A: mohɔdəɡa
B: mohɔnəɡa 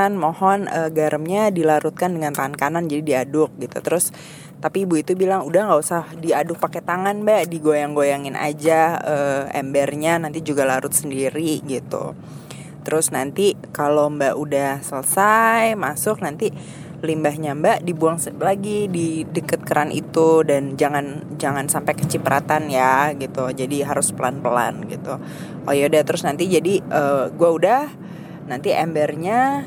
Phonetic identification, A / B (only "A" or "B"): B